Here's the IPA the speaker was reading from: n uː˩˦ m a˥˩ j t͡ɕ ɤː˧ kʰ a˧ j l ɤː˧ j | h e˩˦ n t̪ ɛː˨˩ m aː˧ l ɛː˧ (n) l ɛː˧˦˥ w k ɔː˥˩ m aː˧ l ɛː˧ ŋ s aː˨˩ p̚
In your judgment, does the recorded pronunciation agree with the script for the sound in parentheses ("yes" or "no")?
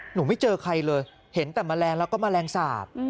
no